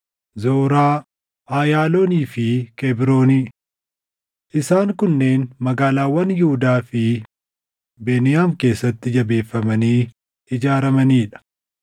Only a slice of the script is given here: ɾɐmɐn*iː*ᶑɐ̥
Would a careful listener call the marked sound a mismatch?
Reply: no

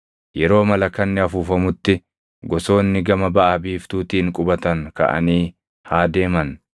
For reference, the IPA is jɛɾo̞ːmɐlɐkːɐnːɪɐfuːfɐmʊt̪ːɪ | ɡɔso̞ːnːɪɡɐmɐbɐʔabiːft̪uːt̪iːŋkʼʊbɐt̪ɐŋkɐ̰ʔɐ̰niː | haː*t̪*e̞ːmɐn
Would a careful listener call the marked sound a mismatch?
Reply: yes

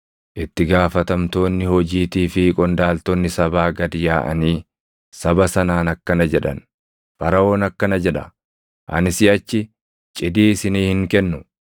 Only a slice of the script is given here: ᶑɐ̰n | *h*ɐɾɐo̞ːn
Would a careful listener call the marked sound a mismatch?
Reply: yes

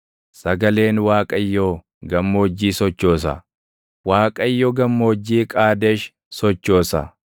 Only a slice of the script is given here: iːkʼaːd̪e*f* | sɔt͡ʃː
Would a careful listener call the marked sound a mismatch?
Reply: yes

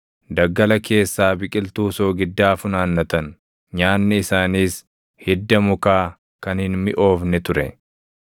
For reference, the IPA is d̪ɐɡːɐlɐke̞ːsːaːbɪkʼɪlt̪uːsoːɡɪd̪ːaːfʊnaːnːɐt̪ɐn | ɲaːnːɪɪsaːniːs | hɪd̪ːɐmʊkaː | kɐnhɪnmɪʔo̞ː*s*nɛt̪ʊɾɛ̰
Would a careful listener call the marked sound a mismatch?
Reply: yes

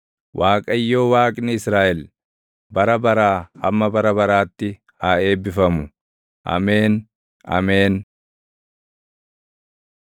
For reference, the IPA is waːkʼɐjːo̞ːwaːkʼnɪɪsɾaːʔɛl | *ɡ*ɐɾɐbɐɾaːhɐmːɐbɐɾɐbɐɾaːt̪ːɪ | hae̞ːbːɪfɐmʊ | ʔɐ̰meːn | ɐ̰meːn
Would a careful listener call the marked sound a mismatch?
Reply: yes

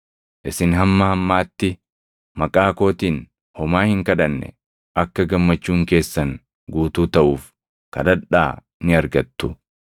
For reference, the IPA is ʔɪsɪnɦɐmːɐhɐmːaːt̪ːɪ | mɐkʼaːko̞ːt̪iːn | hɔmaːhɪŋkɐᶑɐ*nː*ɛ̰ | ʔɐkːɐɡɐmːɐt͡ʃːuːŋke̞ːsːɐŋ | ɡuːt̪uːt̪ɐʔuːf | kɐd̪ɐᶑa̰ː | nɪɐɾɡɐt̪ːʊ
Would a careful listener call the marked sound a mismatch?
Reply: no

